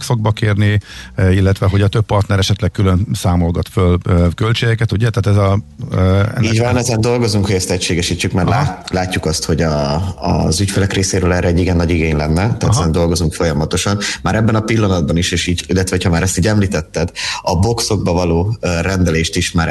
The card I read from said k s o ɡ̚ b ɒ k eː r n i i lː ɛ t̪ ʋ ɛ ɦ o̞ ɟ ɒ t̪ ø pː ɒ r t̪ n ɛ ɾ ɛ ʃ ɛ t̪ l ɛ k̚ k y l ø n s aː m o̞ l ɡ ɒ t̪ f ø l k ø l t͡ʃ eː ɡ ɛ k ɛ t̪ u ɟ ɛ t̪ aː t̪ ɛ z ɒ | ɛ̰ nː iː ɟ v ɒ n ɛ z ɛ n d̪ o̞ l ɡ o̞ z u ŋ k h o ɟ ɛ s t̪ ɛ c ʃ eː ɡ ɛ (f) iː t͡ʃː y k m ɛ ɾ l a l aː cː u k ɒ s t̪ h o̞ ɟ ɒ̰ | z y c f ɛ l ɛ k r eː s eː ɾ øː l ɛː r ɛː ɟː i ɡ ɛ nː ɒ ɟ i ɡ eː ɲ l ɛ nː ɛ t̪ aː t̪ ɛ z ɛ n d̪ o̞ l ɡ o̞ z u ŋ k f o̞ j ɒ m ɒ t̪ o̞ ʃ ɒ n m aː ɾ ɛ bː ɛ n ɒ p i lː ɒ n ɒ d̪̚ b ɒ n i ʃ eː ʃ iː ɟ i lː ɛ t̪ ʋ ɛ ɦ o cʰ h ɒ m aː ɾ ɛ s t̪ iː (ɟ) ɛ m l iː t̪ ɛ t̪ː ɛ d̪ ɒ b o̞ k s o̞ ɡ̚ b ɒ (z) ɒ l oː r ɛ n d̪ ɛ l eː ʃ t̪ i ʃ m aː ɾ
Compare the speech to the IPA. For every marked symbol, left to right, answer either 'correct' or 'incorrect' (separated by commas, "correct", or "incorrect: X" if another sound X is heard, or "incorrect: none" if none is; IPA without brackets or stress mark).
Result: incorrect: ʃ, correct, incorrect: v